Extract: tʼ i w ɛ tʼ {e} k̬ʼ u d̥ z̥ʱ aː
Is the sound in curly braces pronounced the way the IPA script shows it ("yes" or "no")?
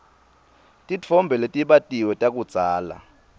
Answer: no